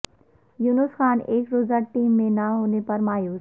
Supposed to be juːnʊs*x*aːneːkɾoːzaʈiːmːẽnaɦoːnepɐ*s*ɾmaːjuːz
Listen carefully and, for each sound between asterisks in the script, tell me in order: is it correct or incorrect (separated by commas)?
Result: correct, incorrect